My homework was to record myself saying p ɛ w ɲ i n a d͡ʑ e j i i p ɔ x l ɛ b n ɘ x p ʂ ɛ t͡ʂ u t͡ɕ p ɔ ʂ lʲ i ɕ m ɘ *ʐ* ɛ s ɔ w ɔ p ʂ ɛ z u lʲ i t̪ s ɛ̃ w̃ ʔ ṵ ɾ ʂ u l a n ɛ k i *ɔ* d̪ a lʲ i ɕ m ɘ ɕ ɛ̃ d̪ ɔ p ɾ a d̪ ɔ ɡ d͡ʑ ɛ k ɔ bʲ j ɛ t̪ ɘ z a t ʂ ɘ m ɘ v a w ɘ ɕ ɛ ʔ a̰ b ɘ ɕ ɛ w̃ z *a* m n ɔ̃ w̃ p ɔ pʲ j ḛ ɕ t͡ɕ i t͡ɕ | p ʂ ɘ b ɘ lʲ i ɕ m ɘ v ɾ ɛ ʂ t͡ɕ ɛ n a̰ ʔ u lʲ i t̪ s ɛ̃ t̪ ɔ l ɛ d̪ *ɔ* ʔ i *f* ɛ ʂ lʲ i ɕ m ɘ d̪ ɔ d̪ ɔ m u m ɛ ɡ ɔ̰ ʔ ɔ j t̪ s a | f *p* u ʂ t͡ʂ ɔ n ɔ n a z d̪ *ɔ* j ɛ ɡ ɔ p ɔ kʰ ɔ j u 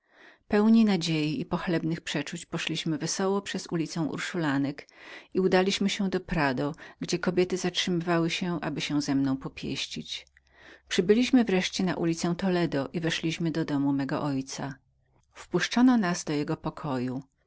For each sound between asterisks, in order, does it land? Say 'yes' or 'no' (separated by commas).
no, no, no, yes, no, yes, yes